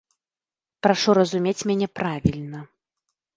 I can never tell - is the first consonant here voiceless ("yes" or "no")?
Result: yes